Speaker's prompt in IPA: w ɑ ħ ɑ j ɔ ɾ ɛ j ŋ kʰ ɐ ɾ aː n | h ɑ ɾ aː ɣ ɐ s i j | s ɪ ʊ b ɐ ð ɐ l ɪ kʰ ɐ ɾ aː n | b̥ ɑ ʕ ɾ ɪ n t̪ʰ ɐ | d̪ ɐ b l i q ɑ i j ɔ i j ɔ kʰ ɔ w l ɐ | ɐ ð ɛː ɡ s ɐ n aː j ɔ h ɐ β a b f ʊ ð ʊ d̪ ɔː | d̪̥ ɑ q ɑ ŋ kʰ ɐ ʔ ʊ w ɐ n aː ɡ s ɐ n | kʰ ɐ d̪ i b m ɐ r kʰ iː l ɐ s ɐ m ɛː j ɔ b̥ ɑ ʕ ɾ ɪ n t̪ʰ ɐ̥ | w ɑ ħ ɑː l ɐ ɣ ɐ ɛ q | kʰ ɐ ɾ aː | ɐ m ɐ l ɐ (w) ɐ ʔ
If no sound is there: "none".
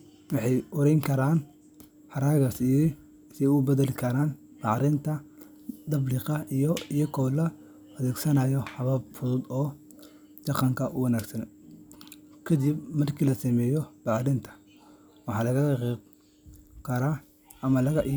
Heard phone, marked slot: ɣ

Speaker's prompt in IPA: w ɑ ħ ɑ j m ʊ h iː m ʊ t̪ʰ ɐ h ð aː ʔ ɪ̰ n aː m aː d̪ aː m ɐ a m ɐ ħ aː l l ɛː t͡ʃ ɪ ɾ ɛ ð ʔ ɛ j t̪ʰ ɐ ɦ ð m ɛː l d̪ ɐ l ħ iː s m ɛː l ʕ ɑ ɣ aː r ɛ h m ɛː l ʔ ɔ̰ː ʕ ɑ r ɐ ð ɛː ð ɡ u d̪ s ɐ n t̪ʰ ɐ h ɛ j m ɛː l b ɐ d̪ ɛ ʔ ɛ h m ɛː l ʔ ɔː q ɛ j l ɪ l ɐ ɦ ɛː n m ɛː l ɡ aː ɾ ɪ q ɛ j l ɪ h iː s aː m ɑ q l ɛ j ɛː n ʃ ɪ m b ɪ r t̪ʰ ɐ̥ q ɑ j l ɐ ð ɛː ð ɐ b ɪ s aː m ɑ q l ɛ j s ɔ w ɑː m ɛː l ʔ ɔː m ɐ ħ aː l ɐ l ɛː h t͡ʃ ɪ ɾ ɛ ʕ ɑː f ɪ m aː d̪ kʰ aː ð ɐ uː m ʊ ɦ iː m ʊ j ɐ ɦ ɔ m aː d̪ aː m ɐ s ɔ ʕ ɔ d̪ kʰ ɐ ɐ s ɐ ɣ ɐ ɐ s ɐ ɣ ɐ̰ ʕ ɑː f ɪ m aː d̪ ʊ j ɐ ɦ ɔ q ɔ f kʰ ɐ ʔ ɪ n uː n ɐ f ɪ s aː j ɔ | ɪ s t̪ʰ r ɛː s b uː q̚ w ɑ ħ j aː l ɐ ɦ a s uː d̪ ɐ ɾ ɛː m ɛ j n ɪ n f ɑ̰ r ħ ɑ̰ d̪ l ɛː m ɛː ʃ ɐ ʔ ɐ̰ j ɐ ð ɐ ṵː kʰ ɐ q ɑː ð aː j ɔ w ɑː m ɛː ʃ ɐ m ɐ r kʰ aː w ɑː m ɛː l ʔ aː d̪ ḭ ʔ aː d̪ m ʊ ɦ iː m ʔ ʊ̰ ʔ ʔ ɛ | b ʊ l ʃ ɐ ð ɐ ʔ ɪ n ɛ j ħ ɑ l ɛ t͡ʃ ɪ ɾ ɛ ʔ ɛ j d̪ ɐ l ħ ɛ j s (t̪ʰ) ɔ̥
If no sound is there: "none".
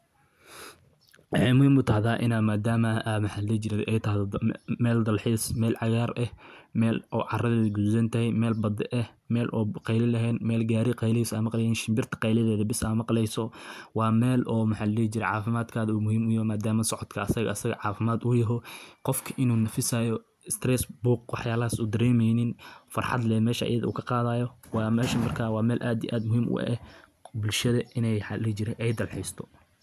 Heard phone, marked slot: t̪ʰ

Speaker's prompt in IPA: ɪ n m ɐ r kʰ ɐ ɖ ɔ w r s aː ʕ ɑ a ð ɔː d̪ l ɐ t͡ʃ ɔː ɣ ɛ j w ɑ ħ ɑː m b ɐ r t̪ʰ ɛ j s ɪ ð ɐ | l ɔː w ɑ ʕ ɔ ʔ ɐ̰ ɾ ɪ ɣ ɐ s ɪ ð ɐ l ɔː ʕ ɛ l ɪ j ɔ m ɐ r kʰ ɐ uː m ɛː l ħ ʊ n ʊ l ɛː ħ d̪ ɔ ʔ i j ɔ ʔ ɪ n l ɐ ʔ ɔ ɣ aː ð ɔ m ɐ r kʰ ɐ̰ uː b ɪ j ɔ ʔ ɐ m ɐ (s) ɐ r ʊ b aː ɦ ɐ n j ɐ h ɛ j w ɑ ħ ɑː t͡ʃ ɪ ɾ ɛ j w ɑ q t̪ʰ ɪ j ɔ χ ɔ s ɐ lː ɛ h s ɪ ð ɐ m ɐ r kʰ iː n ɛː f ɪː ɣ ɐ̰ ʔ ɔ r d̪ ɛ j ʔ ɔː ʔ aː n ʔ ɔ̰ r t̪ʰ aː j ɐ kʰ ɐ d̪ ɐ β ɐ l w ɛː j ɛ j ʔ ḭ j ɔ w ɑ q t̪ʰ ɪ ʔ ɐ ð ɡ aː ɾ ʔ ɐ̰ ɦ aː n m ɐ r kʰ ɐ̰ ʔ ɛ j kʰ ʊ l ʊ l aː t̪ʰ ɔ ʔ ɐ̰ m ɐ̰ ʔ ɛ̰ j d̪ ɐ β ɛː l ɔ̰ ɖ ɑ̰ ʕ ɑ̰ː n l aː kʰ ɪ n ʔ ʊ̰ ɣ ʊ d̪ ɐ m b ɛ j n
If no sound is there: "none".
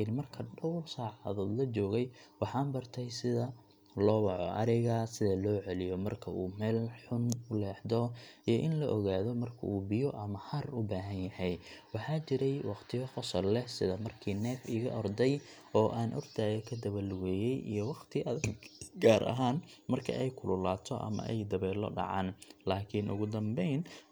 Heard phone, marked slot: h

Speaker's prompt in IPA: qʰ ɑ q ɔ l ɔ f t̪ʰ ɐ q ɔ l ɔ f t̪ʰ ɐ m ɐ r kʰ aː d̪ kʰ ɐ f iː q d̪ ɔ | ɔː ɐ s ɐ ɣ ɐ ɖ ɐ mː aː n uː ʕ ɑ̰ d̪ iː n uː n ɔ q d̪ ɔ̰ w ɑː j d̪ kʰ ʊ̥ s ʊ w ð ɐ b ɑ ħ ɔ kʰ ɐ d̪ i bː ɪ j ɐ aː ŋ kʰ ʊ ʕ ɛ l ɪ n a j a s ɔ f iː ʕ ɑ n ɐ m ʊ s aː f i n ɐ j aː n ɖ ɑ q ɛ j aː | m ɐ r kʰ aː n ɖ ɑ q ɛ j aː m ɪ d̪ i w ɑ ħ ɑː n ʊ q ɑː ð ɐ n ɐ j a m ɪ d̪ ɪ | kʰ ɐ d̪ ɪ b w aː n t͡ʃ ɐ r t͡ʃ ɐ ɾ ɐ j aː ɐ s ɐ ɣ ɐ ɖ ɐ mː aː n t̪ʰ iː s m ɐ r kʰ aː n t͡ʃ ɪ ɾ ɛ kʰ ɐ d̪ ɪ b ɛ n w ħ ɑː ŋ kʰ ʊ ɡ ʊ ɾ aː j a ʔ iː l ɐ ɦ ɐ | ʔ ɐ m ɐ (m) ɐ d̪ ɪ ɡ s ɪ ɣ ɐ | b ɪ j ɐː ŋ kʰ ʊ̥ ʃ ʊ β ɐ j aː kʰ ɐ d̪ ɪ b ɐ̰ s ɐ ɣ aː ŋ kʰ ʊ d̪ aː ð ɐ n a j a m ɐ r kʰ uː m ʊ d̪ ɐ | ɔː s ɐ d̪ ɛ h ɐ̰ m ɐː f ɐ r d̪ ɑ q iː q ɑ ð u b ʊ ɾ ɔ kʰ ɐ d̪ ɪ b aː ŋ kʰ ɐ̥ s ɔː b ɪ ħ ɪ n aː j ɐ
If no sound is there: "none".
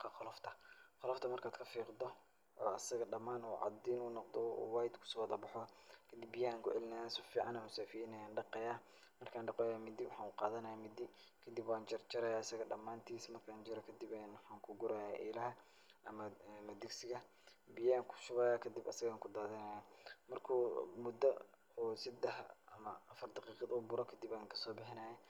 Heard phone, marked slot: m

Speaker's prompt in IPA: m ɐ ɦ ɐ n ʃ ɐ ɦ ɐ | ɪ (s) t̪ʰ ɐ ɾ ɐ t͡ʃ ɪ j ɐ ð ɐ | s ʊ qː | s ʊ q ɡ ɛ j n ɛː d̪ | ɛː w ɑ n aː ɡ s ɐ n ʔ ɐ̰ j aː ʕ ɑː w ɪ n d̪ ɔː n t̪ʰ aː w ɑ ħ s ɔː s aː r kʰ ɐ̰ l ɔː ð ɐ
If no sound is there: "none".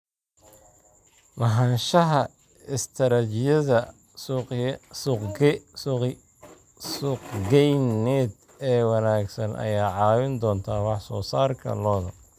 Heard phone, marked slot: s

